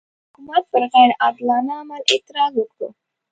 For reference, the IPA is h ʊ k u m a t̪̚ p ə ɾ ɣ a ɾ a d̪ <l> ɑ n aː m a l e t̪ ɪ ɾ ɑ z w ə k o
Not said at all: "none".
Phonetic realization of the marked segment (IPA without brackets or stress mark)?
l